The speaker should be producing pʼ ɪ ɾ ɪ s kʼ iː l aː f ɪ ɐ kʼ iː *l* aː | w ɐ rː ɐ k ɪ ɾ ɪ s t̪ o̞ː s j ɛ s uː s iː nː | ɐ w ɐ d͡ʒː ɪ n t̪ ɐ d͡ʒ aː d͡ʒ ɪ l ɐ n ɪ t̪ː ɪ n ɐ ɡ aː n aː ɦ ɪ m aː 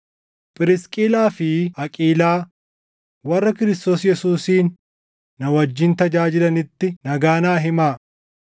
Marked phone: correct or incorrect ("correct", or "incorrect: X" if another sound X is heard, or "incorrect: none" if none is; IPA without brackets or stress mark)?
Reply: correct